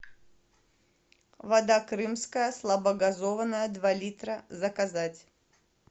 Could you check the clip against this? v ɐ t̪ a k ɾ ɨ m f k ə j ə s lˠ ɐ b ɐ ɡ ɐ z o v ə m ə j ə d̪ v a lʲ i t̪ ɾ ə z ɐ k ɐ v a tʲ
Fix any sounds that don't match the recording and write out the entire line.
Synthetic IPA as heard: v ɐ d̪ a k ɾ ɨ m s k ə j ə s lˠ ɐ b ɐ ɡ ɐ z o v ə n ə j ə d̪ v a lʲ i t̪ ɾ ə z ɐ k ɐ z a tʲ